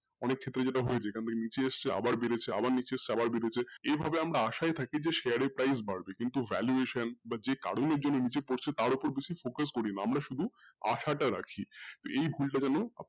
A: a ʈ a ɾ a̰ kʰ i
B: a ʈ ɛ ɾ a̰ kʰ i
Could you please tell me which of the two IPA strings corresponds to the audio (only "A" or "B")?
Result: A